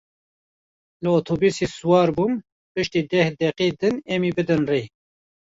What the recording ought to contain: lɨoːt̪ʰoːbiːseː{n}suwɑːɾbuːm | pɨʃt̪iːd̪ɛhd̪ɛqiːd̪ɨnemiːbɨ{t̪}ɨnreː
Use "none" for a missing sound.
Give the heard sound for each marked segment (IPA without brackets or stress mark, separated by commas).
none, d̪